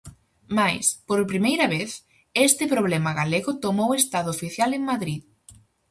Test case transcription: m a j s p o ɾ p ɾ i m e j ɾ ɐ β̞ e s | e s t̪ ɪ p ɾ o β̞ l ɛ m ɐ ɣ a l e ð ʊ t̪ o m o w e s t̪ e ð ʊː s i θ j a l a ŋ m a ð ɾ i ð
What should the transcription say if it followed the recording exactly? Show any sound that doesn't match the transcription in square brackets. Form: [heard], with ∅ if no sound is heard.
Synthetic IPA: m a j s p o ɾ p ɾ i m e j ɾ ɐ β̞ e [θ] | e s t̪ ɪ p ɾ o β̞ l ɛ m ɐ ɣ a l e [ɣ] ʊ t̪ o m o w e s t̪ [a] ð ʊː [f] i θ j a l [e] ŋ m a ð ɾ i ð